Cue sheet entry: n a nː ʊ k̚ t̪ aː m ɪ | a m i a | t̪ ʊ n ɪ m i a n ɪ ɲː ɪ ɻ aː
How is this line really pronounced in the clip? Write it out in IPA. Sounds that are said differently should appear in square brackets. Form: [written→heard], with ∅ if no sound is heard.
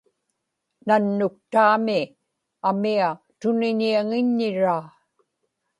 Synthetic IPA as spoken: n a nː ʊ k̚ t̪ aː m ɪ | a m i a | t̪ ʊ n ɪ [m→ɲ] i a [n→ŋ] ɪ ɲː ɪ ɻ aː